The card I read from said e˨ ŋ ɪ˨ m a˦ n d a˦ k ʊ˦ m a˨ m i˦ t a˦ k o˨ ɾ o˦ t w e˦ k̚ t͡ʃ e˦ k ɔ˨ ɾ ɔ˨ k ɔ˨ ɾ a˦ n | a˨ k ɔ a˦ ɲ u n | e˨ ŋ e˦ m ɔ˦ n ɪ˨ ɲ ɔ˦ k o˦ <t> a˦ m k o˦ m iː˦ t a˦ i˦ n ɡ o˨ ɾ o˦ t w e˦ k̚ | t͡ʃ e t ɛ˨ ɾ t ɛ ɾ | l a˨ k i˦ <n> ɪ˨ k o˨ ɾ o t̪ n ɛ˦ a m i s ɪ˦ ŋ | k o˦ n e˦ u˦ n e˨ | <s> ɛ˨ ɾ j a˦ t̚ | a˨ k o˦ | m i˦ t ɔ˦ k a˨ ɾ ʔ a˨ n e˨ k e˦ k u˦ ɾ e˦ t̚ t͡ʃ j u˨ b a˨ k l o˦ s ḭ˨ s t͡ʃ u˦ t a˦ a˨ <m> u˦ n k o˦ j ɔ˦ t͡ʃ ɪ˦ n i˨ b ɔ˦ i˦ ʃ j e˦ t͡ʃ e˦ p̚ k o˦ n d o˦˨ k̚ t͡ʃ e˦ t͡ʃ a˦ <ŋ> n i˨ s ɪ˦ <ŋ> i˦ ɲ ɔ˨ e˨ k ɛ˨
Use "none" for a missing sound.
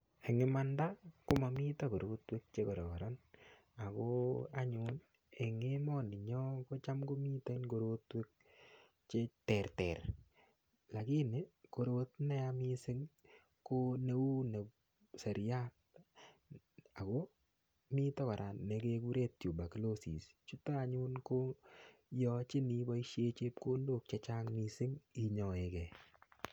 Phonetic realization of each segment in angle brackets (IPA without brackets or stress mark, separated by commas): t͡ʃ, n, s, ɲ, ŋ, ŋ